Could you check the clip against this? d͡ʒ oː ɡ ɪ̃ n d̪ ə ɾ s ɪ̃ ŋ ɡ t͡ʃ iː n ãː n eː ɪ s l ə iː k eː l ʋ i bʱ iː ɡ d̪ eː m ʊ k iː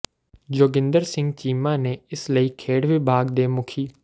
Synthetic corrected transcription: d͡ʒ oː ɡ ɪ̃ n d̪ ə ɾ s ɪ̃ ŋ ɡ t͡ʃ iː m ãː n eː ɪ s l ə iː kʰ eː ɽ ʋ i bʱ aː ɡ d̪ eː m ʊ kʰ iː

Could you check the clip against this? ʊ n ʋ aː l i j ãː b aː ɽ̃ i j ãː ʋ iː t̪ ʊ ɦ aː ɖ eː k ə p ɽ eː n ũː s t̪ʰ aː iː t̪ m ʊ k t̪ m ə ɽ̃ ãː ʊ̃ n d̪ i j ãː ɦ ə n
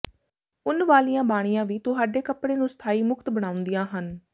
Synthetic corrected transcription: ʊ n ʋ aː l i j ãː b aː ɽ̃ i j ãː ʋ iː t̪ ʊ ɦ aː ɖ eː k ə p ɽ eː n ũː s t̪ʰ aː iː m ʊ k t̪ b ə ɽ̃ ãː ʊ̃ n d̪ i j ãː ɦ ə n

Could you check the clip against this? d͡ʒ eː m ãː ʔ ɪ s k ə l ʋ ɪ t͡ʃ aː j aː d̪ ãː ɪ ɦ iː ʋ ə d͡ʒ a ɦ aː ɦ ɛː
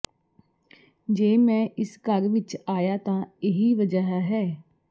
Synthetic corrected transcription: d͡ʒ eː m ɛ̃ː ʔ ɪ s k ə ɾ ʋ ɪ t͡ʃ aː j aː t̪ ãː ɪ ɦ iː ʋ ə d͡ʒ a ɦ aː ɦ ɛː

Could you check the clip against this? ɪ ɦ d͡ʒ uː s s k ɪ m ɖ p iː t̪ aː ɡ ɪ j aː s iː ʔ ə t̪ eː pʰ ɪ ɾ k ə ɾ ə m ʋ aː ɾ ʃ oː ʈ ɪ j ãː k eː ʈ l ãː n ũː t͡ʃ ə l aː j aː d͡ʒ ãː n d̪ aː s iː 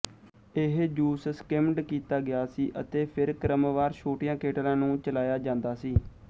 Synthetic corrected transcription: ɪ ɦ d͡ʒ uː s s k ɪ m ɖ k iː t̪ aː ɡ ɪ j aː s iː ʔ ə t̪ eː pʰ ɪ ɾ k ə ɾ ə m ʋ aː ɾ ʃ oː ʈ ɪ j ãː k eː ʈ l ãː n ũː t͡ʃ ə l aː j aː d͡ʒ ãː n d̪ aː s iː

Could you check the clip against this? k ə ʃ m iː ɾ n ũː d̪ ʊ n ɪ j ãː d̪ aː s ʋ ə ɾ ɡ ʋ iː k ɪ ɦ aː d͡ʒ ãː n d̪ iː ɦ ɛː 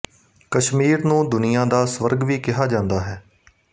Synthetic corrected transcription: k ə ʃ m iː ɾ n ũː d̪ ʊ n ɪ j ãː d̪ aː s ʋ ə ɾ ɡ ʋ iː k ɪ ɦ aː d͡ʒ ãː n d̪ aː ɦ ɛː

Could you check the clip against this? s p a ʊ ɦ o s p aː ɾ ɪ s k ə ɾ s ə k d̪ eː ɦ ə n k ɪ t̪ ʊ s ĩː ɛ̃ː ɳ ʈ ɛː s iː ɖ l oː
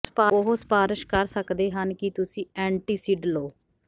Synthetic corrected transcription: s p a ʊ ɦ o s p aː ɾ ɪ ʃ k ə ɾ s ə k d̪ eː ɦ ə n k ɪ t̪ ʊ s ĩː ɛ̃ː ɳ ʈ iː s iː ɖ l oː

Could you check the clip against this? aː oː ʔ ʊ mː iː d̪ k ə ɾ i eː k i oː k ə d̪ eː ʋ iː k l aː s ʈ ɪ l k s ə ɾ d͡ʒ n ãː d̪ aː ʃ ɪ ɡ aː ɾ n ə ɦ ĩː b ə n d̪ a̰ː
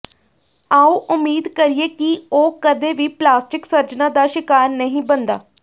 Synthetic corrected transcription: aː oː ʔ ʊ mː iː d̪ k ə ɾ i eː k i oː k ə d̪ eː ʋ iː p l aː s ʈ ɪ k s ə ɾ d͡ʒ n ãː d̪ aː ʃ ɪ k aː ɾ n ə ɦ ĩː b ə n d̪ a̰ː

